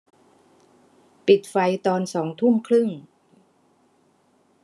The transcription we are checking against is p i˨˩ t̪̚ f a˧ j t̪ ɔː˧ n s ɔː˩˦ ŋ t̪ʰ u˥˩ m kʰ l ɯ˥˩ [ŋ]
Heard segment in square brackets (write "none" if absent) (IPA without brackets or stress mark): ŋ